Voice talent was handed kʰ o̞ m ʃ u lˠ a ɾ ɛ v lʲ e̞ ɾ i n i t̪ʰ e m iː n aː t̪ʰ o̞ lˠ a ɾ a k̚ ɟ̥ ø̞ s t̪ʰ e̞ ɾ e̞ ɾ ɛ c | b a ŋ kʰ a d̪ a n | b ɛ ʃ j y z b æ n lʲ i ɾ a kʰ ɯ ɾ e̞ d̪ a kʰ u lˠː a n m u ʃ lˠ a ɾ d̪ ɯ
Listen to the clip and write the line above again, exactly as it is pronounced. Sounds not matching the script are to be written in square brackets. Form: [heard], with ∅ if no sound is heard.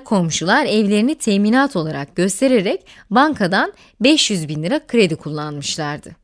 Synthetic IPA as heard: kʰ o̞ m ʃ u lˠ a ɾ ɛ v lʲ e̞ ɾ i n i t̪ʰ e m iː n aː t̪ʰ o̞ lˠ a ɾ a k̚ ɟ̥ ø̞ s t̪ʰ e̞ ɾ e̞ ɾ ɛ c | b a ŋ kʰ a d̪ a n | b ɛ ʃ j y z b [i] n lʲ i ɾ a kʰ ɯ ɾ e̞ d̪ [i] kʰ u lˠː a n m [ɯ] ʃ lˠ a ɾ d̪ ɯ